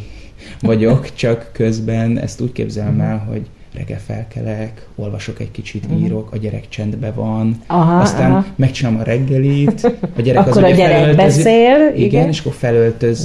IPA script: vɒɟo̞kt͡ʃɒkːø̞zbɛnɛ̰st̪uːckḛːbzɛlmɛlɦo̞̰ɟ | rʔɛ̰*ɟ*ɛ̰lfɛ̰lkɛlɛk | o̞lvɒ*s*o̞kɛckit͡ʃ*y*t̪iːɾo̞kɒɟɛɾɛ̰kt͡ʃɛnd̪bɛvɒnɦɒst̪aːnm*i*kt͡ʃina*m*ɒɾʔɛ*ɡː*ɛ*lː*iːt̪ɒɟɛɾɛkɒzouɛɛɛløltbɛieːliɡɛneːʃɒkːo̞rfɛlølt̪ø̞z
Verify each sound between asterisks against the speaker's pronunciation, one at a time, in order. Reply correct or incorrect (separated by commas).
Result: incorrect, incorrect, incorrect, incorrect, correct, correct, incorrect